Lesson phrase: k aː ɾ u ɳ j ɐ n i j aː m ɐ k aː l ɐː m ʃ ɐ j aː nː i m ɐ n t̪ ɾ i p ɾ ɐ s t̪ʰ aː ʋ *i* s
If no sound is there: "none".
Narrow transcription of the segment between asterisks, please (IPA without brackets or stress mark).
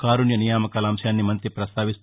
i